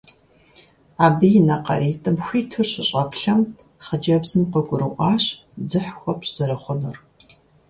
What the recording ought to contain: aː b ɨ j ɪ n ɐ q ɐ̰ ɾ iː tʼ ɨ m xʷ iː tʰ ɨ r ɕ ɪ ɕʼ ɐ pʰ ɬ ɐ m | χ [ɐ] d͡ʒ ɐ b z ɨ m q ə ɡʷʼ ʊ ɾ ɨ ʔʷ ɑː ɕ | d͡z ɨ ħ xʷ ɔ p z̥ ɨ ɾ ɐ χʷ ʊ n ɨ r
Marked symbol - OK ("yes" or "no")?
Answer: no